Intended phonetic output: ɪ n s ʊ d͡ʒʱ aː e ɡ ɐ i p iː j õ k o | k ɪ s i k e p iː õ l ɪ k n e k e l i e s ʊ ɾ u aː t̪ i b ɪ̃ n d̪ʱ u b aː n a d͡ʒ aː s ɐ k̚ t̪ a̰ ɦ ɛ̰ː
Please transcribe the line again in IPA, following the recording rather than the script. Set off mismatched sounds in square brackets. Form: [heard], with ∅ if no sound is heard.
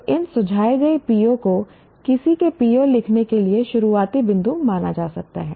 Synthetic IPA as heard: ɪ n s ʊ d͡ʒʱ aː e ɡ ɐ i p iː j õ k o | k ɪ s i k e p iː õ l ɪ [kʰ] n e k e l i e [ʃ] ʊ ɾ u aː t̪ i b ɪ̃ n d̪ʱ u [m] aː n a d͡ʒ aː s ɐ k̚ t̪ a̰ ɦ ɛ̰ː

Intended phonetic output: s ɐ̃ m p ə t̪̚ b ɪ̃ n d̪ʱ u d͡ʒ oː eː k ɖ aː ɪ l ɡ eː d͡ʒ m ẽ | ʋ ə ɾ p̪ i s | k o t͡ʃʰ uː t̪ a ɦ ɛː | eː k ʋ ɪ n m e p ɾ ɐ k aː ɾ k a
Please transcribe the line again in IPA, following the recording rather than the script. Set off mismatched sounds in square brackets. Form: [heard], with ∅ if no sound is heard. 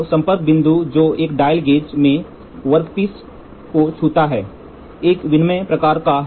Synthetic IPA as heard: s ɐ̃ m p ə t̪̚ b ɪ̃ n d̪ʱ u d͡ʒ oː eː k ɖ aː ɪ l ɡ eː d͡ʒ m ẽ | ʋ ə ɾ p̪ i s | k o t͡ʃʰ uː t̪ a ɦ ɛː | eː k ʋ ɪ n m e p ɾ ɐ k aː ɾ k a

